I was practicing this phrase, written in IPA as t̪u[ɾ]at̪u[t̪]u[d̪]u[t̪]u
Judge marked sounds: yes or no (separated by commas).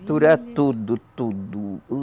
yes, no, no, no